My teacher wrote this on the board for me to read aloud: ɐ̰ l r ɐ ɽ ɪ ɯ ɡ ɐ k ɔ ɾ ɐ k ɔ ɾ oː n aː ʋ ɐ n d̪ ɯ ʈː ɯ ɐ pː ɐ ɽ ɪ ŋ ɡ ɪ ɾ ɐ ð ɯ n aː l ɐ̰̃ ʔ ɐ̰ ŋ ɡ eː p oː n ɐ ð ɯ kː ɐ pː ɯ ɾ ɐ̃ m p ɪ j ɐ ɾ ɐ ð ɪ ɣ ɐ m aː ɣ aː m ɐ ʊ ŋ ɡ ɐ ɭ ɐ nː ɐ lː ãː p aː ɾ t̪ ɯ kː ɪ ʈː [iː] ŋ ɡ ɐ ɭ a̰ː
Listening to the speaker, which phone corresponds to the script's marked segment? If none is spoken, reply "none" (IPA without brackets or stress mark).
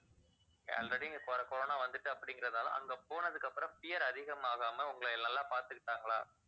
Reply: aː